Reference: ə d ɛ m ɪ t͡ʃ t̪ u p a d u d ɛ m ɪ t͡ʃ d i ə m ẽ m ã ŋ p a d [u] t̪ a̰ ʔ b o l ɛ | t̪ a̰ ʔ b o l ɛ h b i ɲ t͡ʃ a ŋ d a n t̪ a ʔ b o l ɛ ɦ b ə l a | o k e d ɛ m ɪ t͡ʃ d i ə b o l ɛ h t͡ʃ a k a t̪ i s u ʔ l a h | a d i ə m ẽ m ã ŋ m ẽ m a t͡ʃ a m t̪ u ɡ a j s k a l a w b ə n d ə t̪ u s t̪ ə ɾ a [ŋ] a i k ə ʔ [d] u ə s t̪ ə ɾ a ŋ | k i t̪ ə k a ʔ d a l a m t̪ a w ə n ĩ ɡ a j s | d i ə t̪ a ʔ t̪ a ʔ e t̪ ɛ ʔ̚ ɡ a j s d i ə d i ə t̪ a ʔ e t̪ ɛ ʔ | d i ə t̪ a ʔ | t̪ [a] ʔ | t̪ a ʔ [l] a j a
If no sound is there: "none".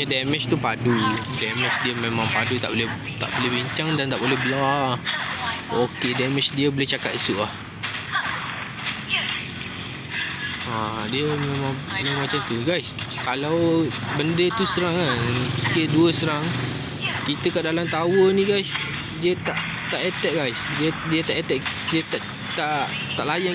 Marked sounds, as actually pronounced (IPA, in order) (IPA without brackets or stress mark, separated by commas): u, ŋ, d, a, l